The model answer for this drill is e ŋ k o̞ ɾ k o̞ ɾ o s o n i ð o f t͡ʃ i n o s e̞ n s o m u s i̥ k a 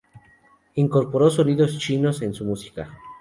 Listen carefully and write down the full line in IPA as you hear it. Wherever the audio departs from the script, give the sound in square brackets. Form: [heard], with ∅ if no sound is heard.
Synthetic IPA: [i] ŋ k o̞ ɾ [p] o̞ ɾ o s o n i ð o [s] t͡ʃ i n o s e̞ n s [u] m u s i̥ k a